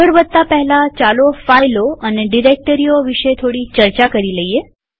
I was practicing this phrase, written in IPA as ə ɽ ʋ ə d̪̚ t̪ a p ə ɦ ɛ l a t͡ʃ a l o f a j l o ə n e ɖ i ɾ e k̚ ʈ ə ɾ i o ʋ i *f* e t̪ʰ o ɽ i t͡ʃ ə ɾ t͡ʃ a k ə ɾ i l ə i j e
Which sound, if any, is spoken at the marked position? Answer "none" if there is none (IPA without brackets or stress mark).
ʃ